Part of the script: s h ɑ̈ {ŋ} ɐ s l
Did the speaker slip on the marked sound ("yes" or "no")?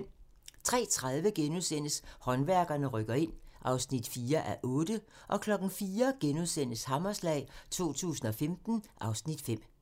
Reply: yes